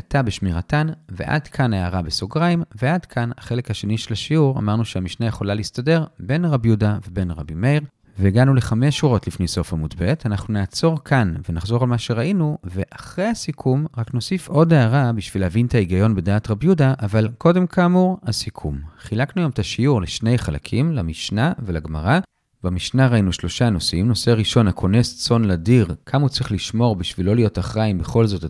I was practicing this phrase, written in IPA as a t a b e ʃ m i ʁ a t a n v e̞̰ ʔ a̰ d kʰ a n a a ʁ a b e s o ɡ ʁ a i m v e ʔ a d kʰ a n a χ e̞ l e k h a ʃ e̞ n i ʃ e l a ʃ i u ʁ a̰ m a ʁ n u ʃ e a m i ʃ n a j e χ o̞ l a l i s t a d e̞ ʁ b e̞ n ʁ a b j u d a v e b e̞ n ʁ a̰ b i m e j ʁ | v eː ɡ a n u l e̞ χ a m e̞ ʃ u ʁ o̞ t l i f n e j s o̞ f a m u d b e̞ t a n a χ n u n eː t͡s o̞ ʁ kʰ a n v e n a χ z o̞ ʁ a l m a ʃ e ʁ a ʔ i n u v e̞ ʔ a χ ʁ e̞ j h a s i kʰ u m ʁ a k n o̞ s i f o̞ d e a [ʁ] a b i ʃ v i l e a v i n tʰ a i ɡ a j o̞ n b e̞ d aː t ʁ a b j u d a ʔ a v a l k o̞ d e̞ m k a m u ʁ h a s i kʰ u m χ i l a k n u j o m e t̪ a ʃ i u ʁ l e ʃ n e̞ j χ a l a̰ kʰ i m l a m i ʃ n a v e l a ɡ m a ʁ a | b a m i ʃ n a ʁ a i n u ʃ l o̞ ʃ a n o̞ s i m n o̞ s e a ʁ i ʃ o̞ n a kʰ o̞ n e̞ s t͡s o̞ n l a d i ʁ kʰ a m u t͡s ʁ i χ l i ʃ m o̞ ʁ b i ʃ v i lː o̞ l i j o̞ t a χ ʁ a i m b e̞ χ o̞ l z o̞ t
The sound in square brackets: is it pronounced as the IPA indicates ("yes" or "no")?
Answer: yes